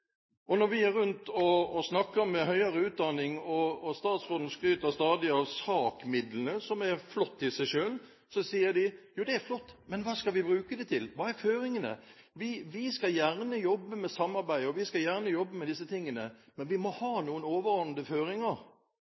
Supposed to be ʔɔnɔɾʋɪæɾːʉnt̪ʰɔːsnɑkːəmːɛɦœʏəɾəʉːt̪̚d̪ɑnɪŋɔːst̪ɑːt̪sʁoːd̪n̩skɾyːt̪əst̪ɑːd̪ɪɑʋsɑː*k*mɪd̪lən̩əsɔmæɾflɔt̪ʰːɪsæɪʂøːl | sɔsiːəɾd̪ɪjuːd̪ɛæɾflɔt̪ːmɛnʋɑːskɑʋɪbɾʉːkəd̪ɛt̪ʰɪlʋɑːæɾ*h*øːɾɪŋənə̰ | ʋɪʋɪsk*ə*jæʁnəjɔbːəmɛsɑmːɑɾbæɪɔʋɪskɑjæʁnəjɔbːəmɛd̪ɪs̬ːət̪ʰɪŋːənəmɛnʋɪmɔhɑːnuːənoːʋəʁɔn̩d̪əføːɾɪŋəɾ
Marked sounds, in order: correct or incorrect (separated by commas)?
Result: correct, incorrect, incorrect